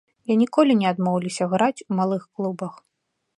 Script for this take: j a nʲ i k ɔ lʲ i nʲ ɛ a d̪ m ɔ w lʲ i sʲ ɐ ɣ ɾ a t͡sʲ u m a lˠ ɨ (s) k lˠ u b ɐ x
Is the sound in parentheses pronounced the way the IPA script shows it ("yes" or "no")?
no